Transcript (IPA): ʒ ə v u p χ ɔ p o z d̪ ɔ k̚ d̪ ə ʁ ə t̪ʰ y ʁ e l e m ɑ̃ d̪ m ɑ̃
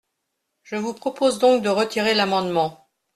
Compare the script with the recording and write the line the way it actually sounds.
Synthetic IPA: ʒ ə v u p χ ɔ p o z d̪ ɔ̃ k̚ d̪ ə ʁ ə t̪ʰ i ʁ e l a m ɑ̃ d̪ m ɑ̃